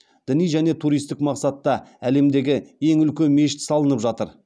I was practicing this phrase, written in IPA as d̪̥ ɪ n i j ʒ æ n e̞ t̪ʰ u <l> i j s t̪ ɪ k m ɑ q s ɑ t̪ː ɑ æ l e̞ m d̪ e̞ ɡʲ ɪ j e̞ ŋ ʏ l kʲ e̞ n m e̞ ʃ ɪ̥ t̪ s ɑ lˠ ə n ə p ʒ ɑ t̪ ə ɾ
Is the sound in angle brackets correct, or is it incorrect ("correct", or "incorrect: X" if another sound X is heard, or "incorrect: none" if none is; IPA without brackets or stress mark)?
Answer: incorrect: ɾ